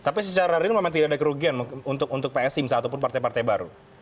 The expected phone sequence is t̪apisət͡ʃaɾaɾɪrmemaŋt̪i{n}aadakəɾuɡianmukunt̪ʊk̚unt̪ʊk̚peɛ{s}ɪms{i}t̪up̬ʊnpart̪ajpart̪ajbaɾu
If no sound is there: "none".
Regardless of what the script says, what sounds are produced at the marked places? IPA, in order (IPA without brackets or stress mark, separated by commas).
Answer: d, s, a